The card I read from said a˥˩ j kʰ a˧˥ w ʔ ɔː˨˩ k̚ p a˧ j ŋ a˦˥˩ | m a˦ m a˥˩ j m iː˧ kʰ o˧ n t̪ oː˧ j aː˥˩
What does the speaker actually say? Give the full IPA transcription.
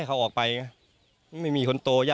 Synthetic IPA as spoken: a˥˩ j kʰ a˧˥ w ʔ ɔː˨˩ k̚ p a˧ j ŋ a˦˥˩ | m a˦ m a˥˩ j m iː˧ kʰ o˧ n t̪ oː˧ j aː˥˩